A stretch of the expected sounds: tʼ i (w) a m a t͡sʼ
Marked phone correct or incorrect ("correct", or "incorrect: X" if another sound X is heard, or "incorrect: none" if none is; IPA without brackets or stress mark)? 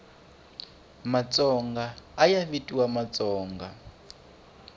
correct